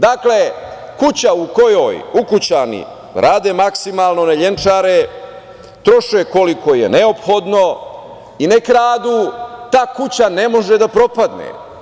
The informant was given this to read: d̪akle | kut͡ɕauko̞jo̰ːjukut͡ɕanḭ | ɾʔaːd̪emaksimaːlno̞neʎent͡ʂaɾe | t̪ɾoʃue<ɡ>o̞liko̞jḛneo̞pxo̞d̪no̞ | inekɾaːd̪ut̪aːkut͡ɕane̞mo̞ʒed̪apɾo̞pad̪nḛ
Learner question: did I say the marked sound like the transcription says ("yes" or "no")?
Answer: no